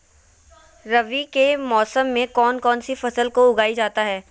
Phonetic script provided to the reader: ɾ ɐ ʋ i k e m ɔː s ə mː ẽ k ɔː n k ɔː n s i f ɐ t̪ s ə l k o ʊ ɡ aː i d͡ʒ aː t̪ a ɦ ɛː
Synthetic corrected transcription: ɾ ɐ ʋ i k e m ɔː s ə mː ẽ k ɔː n k ɔː n s i f ɐ s ə l k o ʊ ɡ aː i d͡ʒ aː t̪ a ɦ ɛː